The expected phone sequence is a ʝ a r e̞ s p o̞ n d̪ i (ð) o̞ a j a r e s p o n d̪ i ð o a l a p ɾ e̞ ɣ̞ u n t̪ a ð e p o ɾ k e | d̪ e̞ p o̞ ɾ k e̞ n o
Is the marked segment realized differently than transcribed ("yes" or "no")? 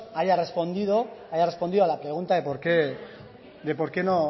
no